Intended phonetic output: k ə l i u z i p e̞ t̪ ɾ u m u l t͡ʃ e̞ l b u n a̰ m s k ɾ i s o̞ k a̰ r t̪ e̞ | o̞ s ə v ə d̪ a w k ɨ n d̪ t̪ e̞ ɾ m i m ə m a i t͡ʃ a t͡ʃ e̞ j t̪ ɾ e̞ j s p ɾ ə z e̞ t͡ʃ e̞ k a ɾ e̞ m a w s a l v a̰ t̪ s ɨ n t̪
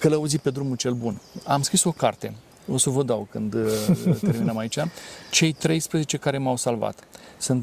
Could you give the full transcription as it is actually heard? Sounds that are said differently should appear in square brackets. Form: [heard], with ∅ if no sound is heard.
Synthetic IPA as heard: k ə l [a] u z i p e̞ [d̪] ɾ u m u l t͡ʃ e̞ l b u n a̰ m s k ɾ i s o̞ k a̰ r t̪ e̞ | o̞ s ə v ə d̪ a w k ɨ n d̪ t̪ e̞ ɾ m i [n] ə m a i t͡ʃ a t͡ʃ e̞ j t̪ ɾ e̞ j s p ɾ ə z e̞ t͡ʃ e̞ k a ɾ e̞ m a w s a l v a̰ t̪ s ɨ n t̪